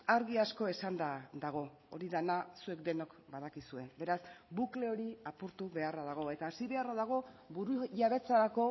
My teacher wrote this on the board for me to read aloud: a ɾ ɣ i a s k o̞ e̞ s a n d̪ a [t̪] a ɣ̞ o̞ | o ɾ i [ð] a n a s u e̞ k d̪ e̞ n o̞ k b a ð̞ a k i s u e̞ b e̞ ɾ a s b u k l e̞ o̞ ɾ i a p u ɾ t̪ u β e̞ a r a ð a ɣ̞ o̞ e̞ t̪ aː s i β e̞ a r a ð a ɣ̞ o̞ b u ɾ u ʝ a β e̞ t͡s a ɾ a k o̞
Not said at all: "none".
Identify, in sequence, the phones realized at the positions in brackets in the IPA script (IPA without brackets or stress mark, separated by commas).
d̪, ð